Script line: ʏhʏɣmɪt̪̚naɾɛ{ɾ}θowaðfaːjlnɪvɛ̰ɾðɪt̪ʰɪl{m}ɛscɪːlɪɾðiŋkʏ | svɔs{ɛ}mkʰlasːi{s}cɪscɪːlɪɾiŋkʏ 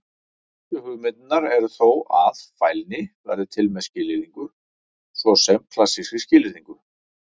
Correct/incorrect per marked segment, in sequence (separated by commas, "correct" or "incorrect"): correct, correct, correct, correct